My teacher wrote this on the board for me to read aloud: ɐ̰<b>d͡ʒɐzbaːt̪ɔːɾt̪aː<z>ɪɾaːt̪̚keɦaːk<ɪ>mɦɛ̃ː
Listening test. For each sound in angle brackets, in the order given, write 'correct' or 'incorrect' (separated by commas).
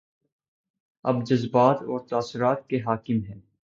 correct, incorrect, correct